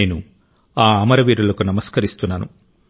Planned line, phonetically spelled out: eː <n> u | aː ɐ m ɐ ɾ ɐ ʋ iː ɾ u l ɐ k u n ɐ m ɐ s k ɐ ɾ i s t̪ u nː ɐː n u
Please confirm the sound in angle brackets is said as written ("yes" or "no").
yes